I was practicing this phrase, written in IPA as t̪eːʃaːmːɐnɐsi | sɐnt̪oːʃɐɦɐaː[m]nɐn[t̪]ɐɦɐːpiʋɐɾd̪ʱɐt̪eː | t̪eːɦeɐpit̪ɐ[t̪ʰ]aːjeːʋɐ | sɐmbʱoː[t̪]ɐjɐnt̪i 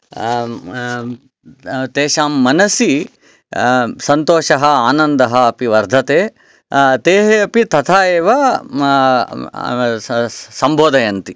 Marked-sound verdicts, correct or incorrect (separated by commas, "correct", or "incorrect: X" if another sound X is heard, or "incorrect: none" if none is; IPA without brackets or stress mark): incorrect: none, incorrect: d̪, correct, incorrect: d̪